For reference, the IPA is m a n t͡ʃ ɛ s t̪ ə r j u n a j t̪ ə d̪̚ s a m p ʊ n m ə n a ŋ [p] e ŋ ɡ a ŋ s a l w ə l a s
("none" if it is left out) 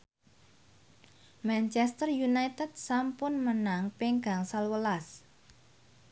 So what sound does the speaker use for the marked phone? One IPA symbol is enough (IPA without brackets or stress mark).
p